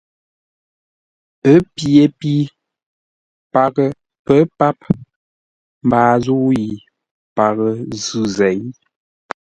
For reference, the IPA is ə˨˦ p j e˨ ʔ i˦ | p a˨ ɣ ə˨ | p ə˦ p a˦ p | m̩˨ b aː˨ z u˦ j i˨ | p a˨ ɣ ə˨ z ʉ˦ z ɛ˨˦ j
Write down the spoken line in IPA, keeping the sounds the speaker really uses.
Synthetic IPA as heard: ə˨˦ p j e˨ p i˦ | p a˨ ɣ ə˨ | p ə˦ p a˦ p | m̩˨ b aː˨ z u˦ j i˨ | p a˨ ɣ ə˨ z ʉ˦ z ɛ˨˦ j